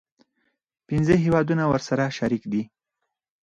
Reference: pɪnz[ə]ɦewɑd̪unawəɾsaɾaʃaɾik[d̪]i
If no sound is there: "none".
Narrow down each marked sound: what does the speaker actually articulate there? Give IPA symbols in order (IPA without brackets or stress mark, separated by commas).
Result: ə, d̪